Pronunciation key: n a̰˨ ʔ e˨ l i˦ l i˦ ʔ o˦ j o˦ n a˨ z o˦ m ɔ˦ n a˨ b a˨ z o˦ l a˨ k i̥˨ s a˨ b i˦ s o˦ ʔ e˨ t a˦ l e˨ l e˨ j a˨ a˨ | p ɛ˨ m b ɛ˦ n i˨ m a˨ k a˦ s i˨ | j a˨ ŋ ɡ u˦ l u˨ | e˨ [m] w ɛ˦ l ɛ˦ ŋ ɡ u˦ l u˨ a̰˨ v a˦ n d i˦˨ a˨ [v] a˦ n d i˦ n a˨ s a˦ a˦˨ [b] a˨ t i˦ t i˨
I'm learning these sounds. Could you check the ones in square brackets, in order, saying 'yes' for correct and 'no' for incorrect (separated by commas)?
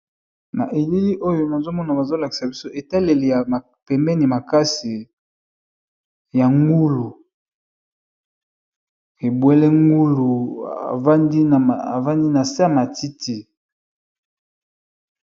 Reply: no, yes, no